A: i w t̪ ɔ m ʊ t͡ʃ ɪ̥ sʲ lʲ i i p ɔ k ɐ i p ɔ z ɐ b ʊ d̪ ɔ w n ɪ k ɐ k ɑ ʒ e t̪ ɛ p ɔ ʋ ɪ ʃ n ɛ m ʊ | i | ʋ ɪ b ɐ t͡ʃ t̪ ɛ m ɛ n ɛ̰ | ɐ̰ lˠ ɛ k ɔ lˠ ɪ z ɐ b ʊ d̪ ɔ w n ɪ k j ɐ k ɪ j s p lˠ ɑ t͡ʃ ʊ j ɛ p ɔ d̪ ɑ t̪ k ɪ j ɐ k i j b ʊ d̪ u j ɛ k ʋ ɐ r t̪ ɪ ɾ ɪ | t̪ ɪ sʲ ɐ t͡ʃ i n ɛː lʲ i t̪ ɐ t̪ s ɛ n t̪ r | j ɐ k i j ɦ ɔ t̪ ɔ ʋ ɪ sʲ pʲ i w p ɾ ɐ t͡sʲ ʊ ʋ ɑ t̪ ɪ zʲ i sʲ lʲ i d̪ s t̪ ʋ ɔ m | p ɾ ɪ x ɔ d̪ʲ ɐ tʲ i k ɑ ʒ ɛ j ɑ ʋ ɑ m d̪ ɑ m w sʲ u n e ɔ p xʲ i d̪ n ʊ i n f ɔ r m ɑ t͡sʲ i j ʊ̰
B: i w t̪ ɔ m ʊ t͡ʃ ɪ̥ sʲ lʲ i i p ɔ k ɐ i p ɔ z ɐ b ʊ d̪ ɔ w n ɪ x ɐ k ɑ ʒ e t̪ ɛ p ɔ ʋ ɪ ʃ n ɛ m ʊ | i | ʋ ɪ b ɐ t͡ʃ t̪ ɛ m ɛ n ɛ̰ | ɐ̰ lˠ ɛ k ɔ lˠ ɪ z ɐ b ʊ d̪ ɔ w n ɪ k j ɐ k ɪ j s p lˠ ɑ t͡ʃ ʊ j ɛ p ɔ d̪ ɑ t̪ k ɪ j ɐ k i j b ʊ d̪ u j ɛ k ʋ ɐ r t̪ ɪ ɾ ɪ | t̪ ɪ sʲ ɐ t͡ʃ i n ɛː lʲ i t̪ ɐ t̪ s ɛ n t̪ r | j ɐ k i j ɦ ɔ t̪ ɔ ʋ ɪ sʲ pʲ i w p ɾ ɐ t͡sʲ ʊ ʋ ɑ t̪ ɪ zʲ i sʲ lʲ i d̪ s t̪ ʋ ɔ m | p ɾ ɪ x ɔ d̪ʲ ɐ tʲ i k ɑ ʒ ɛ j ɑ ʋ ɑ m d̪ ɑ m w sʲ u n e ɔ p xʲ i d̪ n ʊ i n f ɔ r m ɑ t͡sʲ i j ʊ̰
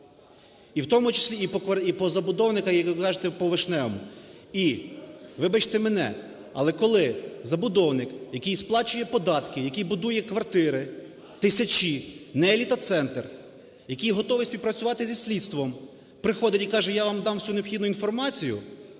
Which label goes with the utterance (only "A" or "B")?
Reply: A